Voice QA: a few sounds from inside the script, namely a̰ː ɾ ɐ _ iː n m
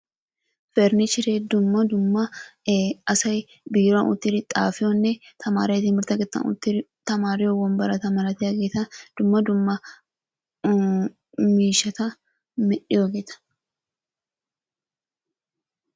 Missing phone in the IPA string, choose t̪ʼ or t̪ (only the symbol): t̪